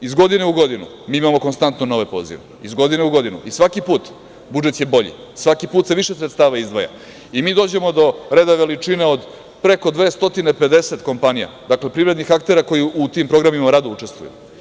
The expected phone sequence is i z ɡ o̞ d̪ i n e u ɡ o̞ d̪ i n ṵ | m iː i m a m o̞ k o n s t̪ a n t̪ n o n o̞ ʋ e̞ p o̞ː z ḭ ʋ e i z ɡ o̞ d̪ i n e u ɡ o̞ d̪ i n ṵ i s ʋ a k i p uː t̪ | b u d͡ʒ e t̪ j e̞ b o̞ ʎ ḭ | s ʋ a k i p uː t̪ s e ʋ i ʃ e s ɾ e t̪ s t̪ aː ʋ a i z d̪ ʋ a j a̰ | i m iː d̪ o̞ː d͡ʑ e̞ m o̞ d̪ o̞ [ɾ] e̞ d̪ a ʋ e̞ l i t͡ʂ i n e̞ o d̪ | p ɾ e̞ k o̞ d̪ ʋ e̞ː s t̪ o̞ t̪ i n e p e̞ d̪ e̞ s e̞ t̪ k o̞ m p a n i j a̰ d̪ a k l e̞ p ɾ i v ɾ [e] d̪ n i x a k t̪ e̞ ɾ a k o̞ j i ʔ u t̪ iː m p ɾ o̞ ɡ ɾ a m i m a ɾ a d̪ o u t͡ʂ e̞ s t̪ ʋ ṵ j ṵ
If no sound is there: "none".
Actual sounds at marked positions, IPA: ɾ, e

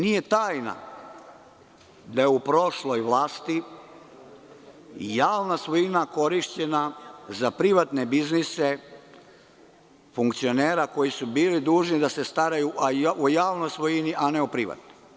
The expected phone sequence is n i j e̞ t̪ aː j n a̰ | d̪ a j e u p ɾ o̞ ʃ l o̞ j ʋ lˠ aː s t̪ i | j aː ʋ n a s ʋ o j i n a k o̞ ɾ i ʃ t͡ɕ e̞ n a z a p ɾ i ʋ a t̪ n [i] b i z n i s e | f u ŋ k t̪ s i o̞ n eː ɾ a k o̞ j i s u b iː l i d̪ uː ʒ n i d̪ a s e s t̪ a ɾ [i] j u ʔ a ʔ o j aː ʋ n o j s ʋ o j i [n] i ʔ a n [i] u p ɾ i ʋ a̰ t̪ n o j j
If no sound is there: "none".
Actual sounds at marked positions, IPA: e, a, n, e

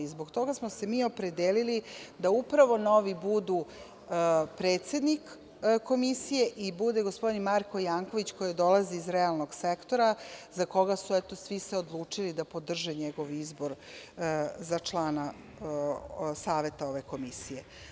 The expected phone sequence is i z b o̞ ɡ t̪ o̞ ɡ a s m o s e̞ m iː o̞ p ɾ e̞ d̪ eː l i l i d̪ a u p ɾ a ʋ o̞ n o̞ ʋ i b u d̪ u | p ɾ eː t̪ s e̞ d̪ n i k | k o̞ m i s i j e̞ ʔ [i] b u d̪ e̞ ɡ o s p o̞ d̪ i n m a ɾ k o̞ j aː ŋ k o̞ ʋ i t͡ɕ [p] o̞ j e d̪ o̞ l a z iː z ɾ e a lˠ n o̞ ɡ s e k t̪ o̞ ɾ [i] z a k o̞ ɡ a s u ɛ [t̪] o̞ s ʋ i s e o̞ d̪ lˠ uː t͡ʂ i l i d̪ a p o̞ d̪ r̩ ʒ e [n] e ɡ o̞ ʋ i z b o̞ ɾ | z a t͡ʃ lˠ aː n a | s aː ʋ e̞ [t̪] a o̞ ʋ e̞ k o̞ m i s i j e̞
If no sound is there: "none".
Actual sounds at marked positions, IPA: i, k, a, t̪, ɲ, t̪

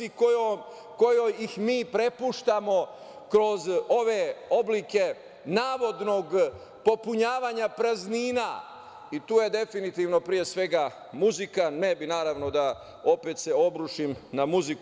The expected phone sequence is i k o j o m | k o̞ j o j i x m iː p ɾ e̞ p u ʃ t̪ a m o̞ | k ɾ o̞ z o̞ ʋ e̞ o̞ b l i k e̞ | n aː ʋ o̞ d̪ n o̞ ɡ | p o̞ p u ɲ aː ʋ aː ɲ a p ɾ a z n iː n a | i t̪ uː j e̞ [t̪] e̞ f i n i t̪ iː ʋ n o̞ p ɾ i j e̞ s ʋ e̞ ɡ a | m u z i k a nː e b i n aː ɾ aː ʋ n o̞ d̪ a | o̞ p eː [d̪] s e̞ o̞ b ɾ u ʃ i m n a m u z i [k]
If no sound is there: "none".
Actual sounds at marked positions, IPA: d̪, t̪, k

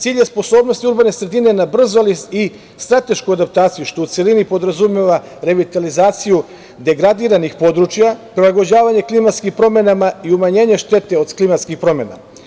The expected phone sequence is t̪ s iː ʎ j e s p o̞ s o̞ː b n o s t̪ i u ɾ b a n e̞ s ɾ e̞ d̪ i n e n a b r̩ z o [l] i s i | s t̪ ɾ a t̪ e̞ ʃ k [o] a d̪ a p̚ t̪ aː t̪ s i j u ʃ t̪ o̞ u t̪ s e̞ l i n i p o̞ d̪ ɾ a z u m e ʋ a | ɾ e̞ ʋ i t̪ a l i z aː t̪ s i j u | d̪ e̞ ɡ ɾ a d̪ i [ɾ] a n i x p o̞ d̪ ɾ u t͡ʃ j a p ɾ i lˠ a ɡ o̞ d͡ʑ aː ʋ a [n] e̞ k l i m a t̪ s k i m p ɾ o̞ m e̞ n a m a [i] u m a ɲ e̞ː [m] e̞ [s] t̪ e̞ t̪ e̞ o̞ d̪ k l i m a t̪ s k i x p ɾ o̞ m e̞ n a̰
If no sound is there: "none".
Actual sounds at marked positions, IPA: l, u, ɾ, ɲ, i, ɲ, ʃ

